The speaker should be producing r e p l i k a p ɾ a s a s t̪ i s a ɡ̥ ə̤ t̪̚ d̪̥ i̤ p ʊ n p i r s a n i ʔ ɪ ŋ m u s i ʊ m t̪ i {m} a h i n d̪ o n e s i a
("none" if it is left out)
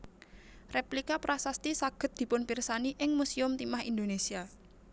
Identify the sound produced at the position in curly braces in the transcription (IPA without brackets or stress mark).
m